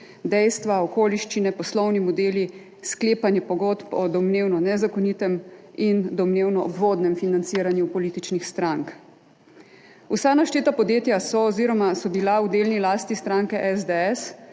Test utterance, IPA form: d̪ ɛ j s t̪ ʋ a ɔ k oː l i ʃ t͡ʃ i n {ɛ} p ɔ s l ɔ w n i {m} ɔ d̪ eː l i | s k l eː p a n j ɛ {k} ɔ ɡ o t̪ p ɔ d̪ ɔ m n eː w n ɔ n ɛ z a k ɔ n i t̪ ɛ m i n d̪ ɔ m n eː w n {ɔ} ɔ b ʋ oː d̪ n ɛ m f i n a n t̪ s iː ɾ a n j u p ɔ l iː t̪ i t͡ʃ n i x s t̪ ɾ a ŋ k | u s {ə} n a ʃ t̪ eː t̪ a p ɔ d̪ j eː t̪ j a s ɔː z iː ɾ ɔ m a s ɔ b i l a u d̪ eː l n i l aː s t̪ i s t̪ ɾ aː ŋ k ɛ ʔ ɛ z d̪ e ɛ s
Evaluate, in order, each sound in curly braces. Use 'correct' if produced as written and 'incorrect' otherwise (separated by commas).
correct, correct, incorrect, correct, incorrect